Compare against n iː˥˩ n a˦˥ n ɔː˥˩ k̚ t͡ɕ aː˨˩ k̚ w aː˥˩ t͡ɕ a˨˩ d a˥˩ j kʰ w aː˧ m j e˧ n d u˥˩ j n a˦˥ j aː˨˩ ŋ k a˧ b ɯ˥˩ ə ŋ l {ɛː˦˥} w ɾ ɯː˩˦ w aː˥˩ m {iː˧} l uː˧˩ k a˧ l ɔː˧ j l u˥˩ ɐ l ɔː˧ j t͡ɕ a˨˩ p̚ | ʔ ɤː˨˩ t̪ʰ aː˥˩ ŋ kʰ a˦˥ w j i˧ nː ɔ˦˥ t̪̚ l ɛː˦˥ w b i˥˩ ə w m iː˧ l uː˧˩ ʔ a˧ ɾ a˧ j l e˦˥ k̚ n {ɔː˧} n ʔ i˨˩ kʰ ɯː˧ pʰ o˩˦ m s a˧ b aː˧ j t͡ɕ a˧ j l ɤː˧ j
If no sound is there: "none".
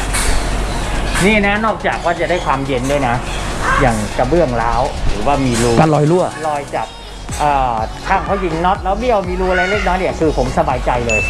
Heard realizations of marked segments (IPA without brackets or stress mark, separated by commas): aː˦˥, iː˧, ɔː˦˥